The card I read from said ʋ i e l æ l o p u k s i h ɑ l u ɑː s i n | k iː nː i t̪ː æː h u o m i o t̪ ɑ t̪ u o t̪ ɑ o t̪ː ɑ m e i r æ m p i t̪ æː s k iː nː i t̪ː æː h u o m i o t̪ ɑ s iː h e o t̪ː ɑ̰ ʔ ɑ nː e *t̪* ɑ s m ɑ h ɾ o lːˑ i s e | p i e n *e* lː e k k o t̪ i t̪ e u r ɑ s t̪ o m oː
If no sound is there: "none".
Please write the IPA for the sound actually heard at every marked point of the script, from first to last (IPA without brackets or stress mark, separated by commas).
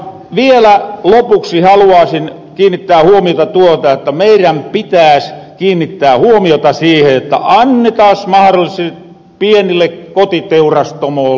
t̪, i